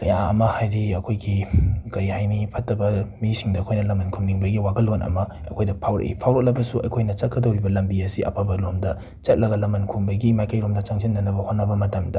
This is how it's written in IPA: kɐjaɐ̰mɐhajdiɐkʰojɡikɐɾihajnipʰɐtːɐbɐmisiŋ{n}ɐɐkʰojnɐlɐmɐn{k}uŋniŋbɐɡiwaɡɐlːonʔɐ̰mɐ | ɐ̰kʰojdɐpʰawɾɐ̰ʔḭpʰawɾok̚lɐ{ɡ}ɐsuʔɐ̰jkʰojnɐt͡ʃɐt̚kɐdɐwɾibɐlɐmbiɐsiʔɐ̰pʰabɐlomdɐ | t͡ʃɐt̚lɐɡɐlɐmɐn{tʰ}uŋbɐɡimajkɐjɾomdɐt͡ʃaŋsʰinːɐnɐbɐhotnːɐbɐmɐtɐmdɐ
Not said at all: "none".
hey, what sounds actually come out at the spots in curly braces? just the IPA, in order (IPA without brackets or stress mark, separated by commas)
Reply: d, kʰ, b, kʰ